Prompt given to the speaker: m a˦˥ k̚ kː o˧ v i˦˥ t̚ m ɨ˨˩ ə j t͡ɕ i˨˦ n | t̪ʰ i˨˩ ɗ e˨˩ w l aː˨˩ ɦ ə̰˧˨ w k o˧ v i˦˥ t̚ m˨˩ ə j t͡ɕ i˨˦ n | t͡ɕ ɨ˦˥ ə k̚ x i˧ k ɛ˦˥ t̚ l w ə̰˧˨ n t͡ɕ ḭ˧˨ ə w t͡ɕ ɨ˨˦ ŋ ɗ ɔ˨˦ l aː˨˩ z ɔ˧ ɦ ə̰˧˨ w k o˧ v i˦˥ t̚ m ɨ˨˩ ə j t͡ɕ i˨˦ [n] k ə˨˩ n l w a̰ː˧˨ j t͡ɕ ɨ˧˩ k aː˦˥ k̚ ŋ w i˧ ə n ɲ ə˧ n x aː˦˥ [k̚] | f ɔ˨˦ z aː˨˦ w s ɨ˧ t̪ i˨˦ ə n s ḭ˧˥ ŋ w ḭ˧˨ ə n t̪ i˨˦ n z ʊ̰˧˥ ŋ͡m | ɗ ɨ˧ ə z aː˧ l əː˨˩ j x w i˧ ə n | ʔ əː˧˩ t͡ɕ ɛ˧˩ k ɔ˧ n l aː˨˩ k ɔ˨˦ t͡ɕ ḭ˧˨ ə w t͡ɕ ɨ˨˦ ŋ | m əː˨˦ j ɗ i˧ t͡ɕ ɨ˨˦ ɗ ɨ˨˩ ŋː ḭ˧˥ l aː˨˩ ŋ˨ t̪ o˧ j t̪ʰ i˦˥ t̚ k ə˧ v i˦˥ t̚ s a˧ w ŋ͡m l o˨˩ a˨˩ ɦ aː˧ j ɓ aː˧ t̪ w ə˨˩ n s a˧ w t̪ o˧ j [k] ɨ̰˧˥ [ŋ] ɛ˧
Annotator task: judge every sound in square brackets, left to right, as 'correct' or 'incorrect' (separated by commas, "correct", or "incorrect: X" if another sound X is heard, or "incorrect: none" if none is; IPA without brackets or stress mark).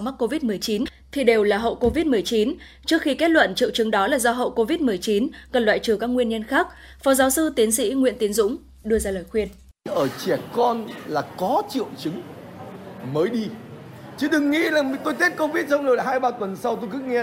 correct, correct, correct, correct